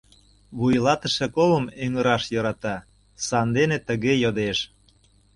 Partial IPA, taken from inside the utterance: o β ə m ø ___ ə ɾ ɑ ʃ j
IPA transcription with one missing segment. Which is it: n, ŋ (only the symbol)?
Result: ŋ